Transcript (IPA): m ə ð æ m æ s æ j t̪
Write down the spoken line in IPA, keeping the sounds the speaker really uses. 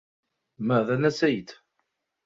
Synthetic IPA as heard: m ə ð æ n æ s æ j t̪